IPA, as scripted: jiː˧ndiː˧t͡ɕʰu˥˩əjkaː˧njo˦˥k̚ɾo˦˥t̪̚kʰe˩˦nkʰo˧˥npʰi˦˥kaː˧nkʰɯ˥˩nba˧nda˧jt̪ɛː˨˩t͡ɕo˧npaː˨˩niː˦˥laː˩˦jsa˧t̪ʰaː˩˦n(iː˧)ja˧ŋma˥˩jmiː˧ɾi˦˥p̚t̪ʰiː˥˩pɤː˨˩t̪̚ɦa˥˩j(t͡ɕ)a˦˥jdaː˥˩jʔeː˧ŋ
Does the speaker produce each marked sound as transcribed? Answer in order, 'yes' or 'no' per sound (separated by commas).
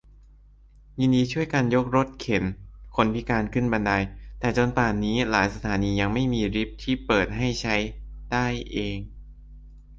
yes, no